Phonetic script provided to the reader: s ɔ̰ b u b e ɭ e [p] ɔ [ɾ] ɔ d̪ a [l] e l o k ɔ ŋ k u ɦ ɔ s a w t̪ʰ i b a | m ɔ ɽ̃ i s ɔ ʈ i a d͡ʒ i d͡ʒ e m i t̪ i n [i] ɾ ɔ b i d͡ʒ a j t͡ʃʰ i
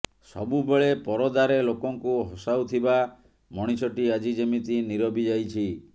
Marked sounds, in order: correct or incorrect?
correct, correct, incorrect: ɾ, correct

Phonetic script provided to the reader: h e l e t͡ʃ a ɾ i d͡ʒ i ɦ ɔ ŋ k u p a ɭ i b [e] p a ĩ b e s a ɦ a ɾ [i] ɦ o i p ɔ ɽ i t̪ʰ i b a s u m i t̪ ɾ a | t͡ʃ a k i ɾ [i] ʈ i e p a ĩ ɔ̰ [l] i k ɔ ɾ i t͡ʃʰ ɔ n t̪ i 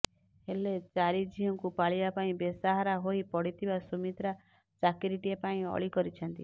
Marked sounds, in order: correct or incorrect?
incorrect: a, incorrect: a, correct, incorrect: ɭ

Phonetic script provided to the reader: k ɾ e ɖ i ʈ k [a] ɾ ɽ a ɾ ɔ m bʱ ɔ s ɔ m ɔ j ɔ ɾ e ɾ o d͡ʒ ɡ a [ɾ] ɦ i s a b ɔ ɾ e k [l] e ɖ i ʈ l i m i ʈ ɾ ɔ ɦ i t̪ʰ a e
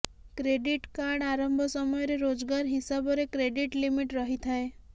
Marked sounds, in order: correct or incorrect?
correct, correct, incorrect: ɾ

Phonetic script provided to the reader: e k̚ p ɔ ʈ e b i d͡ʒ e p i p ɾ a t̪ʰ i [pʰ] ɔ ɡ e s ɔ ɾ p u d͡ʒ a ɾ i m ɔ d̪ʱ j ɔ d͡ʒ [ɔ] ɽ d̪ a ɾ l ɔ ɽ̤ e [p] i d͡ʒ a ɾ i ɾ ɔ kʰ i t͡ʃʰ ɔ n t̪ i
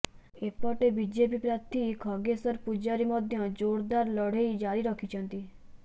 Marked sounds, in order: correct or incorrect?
incorrect: kʰ, incorrect: o, incorrect: none

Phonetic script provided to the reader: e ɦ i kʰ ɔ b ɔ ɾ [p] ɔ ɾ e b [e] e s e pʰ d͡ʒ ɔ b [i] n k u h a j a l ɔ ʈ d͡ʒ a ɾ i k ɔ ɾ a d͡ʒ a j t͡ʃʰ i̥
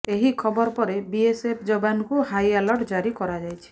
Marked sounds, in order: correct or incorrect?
correct, incorrect: i, incorrect: a

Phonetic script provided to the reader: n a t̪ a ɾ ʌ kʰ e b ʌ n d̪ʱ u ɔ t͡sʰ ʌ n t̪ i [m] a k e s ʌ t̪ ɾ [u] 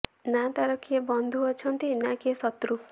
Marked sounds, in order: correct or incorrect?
incorrect: n, correct

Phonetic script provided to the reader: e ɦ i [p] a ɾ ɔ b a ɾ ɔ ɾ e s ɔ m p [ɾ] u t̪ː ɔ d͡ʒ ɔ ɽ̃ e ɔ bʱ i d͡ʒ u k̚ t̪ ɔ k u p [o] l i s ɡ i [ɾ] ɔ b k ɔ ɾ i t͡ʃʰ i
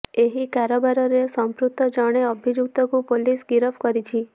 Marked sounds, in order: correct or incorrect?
incorrect: k, correct, correct, correct

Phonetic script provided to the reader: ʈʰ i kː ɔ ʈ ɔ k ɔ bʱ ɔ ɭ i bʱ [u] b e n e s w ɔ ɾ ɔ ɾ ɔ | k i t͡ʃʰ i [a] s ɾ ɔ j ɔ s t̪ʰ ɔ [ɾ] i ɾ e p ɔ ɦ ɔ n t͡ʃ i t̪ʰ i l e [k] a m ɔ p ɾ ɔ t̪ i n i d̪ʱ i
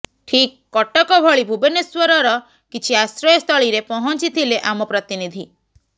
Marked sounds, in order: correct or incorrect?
correct, correct, incorrect: ɭ, incorrect: ʔ

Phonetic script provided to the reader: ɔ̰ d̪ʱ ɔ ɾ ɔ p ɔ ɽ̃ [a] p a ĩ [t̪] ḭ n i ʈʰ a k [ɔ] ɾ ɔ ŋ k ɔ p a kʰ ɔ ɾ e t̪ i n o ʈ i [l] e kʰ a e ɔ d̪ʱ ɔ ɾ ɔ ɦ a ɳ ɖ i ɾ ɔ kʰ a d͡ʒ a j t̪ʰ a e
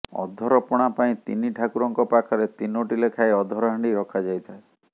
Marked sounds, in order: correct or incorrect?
correct, correct, incorrect: u, correct

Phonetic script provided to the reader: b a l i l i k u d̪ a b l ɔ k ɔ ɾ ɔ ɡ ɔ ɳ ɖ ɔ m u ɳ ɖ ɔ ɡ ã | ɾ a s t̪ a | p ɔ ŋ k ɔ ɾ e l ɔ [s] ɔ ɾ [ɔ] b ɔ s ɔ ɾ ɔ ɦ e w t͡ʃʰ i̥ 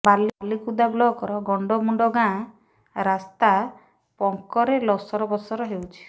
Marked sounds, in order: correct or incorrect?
correct, correct

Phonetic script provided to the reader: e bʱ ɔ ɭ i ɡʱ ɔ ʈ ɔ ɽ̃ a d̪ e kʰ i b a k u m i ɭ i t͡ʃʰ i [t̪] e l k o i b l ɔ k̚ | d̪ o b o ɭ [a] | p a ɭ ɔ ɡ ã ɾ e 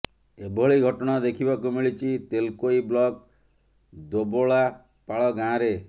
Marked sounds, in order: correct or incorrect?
correct, correct

